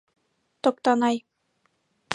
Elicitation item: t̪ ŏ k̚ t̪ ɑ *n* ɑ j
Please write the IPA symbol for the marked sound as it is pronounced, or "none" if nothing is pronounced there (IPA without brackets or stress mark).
n